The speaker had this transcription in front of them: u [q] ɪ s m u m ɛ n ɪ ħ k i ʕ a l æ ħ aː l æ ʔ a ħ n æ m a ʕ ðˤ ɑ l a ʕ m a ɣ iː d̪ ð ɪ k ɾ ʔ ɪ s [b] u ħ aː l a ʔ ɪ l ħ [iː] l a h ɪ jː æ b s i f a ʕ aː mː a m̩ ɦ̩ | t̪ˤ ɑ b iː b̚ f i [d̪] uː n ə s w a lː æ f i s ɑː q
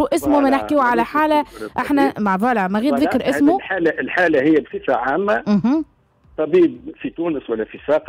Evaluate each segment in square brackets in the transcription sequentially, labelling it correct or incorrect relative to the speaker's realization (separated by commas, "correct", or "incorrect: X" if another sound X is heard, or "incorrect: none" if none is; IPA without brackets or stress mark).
incorrect: ʔ, incorrect: m, incorrect: aː, incorrect: t̪